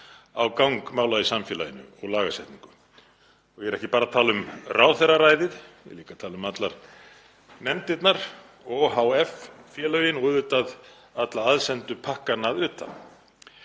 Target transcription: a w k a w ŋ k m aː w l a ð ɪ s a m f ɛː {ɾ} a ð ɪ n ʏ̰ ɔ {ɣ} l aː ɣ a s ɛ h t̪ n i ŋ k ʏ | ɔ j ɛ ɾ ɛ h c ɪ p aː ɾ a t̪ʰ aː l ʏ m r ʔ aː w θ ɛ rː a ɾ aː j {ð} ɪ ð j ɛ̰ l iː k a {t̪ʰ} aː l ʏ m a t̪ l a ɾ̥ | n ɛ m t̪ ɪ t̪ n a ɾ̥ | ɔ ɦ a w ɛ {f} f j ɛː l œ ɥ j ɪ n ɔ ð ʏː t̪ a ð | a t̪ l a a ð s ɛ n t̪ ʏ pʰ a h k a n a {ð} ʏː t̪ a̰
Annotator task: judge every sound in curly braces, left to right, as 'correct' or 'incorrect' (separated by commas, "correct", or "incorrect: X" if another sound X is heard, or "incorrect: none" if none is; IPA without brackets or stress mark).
incorrect: l, correct, correct, correct, correct, correct